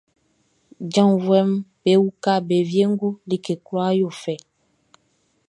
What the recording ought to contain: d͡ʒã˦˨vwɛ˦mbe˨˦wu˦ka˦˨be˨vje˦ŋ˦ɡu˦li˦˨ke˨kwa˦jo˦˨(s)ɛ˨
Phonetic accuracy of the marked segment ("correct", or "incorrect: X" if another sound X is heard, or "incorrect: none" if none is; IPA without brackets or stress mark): incorrect: f